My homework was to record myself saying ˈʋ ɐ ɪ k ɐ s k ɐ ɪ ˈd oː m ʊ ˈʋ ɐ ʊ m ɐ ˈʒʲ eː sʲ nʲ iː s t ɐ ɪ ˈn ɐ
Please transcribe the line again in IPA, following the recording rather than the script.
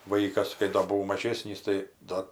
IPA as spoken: ˈʋ ɐ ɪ k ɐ s k ɐ ɪ ˈd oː b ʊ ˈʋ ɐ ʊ m ɐ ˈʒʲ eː sʲ nʲ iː s t ɐ ɪ ˈd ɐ